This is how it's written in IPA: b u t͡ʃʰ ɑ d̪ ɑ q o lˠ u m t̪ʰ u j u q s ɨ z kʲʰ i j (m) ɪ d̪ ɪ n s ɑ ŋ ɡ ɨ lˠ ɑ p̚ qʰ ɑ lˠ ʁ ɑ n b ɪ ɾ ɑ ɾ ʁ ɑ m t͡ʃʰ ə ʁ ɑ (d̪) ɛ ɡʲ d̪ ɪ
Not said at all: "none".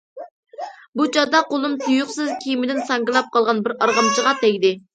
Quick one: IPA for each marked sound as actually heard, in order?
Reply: m, t̪

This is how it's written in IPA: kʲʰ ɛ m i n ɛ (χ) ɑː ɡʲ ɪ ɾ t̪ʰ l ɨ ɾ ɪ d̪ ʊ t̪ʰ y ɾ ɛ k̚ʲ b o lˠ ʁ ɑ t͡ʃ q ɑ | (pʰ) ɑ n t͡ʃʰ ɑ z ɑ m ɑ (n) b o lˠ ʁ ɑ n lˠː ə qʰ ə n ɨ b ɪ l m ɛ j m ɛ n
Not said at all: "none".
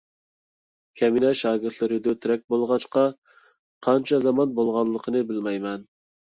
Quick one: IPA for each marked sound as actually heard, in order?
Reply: ʃ, qʰ, n

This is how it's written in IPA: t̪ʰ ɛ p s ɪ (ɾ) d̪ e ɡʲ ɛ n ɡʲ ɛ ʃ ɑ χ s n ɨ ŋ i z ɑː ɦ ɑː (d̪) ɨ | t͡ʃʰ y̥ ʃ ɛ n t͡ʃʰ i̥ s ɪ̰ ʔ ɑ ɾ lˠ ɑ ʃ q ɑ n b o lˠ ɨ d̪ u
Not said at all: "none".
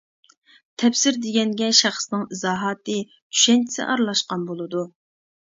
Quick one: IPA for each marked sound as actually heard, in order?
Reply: ɾ, t̪

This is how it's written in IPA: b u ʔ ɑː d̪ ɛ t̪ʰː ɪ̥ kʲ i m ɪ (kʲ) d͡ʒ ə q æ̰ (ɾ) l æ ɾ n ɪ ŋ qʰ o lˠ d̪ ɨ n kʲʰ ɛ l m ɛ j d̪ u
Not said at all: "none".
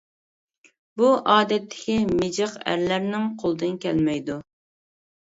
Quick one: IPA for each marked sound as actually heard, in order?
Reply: none, ɾ

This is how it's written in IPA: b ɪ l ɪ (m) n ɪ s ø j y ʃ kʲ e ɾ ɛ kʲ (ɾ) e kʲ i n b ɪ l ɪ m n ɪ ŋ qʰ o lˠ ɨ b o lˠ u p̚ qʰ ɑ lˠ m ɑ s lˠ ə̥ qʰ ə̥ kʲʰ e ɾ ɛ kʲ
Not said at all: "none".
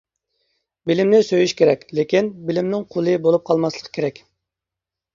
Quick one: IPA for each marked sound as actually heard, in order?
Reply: m, l

